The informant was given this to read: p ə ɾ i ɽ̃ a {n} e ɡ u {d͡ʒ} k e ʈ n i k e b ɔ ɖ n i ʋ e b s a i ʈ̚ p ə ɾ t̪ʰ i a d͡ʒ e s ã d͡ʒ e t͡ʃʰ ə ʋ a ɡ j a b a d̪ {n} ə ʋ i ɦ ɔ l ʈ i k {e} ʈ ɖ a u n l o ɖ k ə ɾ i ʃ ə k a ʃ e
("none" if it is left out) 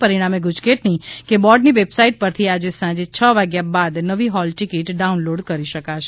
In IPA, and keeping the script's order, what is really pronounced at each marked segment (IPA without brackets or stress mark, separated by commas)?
m, d͡ʒ, n, i